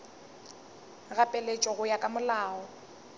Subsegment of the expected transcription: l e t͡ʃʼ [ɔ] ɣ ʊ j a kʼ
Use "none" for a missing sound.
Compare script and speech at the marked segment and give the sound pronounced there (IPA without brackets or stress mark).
ɔ